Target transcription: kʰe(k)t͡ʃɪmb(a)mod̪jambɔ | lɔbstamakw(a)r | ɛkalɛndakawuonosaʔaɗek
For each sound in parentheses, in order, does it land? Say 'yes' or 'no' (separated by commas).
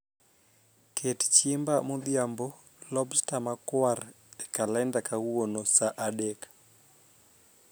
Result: no, yes, yes